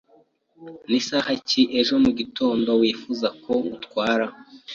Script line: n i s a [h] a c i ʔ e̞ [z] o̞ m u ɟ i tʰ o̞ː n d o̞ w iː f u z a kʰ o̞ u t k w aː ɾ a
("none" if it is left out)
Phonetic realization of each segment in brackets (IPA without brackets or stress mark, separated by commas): h, ʒ